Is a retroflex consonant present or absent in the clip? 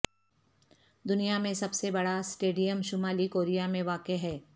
present